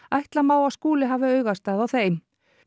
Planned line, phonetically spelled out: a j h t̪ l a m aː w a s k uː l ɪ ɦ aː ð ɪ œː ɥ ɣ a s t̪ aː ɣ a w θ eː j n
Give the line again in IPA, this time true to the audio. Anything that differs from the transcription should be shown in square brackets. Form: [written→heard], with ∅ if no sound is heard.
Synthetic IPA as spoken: a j h t̪ l a m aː w a s k uː l ɪ ɦ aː [ð→v] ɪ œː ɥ ɣ a s t̪ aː [ɣ→ð] a w θ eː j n